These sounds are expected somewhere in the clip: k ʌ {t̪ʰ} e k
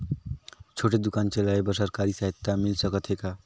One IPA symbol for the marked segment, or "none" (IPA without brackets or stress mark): t̪ʰ